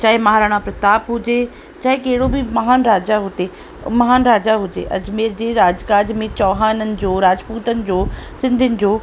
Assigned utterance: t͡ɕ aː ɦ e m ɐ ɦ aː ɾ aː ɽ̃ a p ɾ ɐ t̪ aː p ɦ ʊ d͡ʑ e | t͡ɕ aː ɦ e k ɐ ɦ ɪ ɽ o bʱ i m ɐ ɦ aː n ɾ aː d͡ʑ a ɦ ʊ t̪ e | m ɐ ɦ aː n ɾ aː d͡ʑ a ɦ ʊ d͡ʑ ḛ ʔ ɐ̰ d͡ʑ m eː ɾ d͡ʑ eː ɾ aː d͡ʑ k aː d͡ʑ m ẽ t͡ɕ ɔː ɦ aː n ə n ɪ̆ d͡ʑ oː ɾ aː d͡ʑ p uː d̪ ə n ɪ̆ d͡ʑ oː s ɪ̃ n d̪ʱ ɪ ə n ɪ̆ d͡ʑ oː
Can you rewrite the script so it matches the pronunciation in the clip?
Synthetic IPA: t͡ɕ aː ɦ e m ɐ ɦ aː ɾ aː ɽ̃ a p ɾ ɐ t̪ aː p ɦ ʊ d͡ʑ e | t͡ɕ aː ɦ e k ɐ ɦ ɪ ɽ o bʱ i m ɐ ɦ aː n ɾ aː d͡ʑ a ɦ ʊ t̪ e | m ɐ ɦ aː n ɾ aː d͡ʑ a ɦ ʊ d͡ʑ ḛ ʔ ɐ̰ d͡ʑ m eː ɾ d͡ʑ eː ɾ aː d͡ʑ k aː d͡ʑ m ẽ t͡ɕ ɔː ɦ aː n ə n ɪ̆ d͡ʑ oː ɾ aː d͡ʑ p uː t̪ ə n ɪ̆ d͡ʑ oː s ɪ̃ n d̪ʱ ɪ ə n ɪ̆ d͡ʑ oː